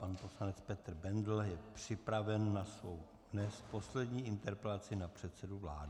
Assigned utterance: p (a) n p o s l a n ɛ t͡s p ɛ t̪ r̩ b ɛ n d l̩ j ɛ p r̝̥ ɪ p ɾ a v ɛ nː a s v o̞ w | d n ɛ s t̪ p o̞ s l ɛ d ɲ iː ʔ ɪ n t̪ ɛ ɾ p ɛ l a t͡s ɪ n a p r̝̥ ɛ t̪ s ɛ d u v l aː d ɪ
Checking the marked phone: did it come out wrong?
no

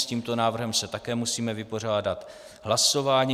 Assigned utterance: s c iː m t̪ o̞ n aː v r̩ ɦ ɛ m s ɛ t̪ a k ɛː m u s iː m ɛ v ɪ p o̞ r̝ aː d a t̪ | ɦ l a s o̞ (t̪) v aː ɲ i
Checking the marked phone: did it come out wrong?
yes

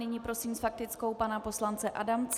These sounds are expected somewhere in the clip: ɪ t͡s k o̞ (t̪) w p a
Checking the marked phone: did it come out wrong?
yes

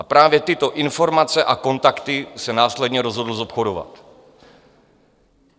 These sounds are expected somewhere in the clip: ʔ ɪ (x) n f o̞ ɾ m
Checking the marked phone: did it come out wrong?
yes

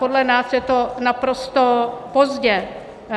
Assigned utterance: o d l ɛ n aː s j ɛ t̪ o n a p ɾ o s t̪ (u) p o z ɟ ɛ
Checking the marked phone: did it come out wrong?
yes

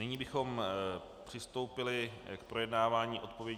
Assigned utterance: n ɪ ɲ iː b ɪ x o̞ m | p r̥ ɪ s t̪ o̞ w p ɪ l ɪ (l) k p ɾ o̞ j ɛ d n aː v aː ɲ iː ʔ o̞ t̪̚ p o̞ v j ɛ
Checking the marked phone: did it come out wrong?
yes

